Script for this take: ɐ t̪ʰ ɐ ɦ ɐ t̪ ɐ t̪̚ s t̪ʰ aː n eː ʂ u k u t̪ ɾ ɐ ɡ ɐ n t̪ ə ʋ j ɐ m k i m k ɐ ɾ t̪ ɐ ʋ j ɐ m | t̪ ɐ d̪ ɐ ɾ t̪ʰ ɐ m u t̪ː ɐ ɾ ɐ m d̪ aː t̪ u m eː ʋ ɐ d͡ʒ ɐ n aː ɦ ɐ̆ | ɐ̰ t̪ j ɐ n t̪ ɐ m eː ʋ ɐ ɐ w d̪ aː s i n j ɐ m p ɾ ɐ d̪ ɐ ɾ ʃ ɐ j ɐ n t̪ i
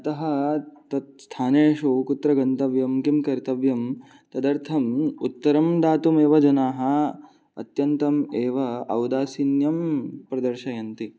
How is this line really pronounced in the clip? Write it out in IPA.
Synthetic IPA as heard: ɐ t̪ ɐ ɦ ɐ t̪ ɐ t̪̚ s t̪ʰ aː n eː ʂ u k u t̪ ɾ ɐ ɡ ɐ n t̪ ɐ ʋ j ɐ m k i m k ɐ ɾ t̪ ɐ ʋ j ɐ m | t̪ ɐ d̪ ɐ ɾ t̪ʰ ɐ m u t̪ː ɐ ɾ ɐ m d̪ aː t̪ u m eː ʋ ɐ d͡ʒ ɐ n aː ɦ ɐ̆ | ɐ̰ t̪ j ɐ n t̪ ɐ m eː ʋ ɐ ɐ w d̪ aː s i n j ɐ m p ɾ ɐ d̪ ɐ ɾ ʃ ɐ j ɐ n t̪ i